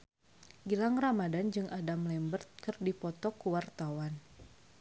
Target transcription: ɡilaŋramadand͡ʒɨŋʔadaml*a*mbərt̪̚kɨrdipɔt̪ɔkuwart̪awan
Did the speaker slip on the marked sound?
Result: yes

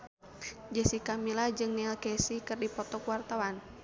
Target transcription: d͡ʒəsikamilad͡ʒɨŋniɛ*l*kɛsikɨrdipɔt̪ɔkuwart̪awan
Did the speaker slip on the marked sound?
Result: no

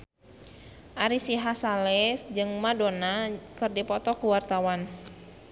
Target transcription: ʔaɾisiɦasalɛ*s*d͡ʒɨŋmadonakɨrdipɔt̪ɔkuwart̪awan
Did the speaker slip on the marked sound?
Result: no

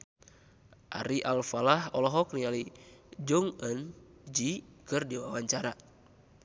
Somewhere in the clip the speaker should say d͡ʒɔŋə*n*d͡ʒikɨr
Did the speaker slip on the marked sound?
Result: no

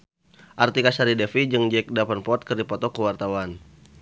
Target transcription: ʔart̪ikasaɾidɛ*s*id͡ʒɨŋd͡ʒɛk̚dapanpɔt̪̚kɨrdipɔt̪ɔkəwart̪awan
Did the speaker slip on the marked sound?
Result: yes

